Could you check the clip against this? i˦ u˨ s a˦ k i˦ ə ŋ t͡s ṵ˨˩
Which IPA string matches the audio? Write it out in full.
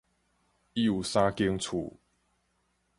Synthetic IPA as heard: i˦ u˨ s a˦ k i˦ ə ŋ t͡sʰ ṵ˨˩